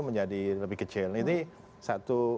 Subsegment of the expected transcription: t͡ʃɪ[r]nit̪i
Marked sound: incorrect: l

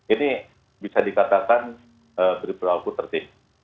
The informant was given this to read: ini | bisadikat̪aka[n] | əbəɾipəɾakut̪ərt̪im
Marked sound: correct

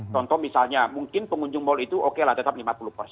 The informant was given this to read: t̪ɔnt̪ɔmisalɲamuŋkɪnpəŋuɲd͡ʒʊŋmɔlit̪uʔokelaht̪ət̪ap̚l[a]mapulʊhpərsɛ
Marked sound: incorrect: i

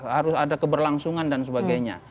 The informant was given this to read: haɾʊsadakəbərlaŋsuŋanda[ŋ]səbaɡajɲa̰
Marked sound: incorrect: n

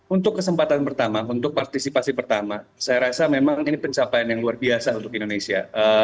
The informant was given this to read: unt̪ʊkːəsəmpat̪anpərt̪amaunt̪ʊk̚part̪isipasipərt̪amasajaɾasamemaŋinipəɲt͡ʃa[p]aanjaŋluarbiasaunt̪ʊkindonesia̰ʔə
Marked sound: correct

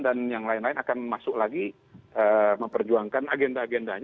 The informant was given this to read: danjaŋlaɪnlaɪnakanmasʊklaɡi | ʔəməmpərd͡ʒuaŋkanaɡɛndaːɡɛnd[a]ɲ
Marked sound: correct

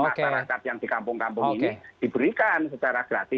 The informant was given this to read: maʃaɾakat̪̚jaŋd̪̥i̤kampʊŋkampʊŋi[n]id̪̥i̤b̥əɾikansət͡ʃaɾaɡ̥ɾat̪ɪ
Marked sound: correct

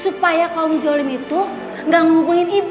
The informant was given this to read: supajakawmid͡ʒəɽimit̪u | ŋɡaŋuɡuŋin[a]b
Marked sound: incorrect: i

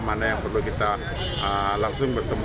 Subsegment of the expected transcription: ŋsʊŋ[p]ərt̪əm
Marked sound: incorrect: b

